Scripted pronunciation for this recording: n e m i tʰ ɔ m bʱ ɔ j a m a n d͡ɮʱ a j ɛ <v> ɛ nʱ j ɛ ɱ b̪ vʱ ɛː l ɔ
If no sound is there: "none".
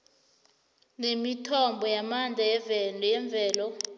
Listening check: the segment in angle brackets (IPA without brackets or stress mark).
v